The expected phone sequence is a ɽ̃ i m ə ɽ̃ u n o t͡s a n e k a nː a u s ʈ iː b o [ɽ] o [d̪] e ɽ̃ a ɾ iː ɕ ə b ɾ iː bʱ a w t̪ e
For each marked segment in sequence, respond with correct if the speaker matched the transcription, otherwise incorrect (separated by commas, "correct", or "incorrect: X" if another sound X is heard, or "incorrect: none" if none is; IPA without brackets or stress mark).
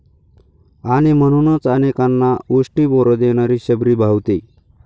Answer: incorrect: ɾ, correct